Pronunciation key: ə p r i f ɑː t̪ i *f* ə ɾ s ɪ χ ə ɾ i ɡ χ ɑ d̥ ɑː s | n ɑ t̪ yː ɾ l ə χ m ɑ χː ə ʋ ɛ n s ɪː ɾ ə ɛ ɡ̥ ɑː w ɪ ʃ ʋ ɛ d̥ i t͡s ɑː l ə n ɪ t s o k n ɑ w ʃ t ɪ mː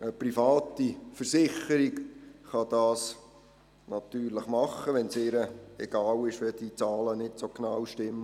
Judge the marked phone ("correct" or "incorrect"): correct